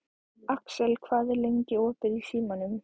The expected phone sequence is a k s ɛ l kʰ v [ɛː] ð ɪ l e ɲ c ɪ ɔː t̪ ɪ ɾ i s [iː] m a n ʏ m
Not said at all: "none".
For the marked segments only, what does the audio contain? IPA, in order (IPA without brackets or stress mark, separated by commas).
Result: aː, iː